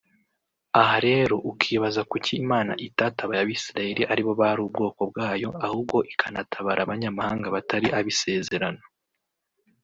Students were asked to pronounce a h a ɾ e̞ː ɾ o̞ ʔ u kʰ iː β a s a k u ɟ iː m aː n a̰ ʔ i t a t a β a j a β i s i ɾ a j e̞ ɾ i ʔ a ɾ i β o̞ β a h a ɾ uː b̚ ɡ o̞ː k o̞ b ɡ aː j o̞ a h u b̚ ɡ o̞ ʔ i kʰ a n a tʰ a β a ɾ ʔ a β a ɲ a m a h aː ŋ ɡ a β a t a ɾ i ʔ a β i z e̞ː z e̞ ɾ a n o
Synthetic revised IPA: a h a ɾ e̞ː ɾ o̞ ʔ u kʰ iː β a z a k u c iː m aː n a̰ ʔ i t a t a β a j a β i s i ɾ a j e̞ ɾ i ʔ a ɾ i β o̞ β a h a ɾ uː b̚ ɡ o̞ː k o̞ b ɡ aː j o̞ a h u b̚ ɡ o̞ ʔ i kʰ a n a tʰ a β a ɾ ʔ a β a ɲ a m a h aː ŋ ɡ a β a t a ɾ i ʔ a β i s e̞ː z e̞ ɾ a n o

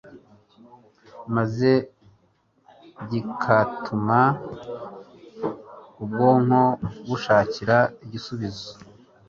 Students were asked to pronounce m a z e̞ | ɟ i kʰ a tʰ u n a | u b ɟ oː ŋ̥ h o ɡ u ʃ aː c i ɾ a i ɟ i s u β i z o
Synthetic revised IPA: m a z e̞ | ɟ i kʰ a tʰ u m a | u b ɡ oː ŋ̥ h o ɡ u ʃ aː c i ɾ a i ɟ i s u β i z o

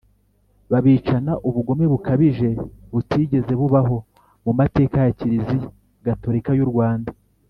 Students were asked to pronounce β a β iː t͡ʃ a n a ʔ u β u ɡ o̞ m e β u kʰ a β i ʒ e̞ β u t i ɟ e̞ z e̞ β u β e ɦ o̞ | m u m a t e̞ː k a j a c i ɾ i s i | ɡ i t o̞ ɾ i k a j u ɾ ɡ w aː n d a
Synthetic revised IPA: β a β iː t͡ʃ a n a ʔ u β u ɡ o̞ m e β u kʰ a β i ʒ e̞ β u t i ɟ e̞ z e̞ β u β a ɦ o̞ | m u m a t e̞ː k a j a c i ɾ i z i | ɡ a t o̞ ɾ i k a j u ɾ ɡ w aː n d a

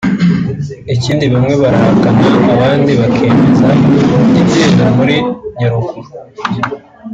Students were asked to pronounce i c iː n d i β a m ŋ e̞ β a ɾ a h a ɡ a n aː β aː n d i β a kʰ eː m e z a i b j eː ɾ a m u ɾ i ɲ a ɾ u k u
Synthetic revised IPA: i c iː n d i β a m ŋ e̞ β a ɾ a h a k a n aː β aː n d i β a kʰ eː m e z a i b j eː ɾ a m u ɾ i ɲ a ɾ u k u

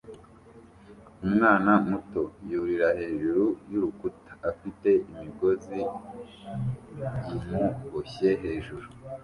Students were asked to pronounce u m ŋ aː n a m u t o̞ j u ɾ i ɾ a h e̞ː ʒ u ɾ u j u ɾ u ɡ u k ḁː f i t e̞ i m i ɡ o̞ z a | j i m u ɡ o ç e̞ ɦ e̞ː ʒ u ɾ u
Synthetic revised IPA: u m ŋ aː n a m u t o̞ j u ɾ i ɾ a h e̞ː ʒ u ɾ u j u ɾ u k u t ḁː f i t e̞ i m i ɡ o̞ z i | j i m u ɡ o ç e̞ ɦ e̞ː ʒ u ɾ u

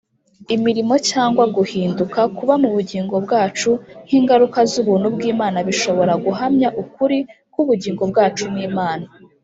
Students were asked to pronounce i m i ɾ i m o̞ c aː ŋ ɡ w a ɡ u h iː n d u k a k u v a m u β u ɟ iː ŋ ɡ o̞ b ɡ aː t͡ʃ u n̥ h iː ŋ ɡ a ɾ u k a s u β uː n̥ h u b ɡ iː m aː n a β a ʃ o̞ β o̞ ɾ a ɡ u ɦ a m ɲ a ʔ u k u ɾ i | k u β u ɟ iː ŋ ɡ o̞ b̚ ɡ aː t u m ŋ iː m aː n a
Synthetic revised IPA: i m i ɾ i m o̞ c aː ŋ ɡ w a ɡ u h iː n d u k a k u β a m u β u ɟ iː ŋ ɡ o̞ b ɡ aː t͡ʃ u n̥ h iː ŋ ɡ a ɾ u k a z u β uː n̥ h u b ɡ iː m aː n a β i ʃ o̞ β o̞ ɾ a ɡ u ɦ a m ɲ a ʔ u k u ɾ i | k u β u ɟ iː ŋ ɡ o̞ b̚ ɡ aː t͡ʃ u m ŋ iː m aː n a

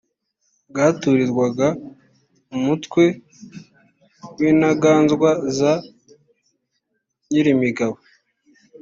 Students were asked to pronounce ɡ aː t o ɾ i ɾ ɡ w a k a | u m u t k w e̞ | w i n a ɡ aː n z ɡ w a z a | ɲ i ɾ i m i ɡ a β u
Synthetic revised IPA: ɡ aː t u ɾ i ɾ ɡ w a ɡ a | u m u t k w e̞ | w i n a ɡ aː n z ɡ w a z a | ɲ i ɾ i m i ɡ a β o

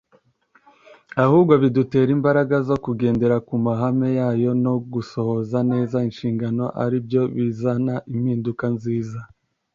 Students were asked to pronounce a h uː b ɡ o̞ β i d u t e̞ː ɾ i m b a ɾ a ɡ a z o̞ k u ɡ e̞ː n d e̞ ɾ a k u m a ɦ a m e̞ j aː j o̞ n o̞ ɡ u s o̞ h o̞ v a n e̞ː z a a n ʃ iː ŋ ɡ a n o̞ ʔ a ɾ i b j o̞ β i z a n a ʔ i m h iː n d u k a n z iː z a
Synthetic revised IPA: a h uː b ɡ o̞ β i d u t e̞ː ɾ i m b a ɾ a ɡ a z o̞ k u ɡ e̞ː n d e̞ ɾ a k u m a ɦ a m e̞ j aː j o̞ n o̞ ɡ u s o̞ h o̞ z a n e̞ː z a i n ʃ iː ŋ ɡ a n o̞ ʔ a ɾ i b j o̞ β i z a n a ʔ i m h iː n d u k a n z iː z a

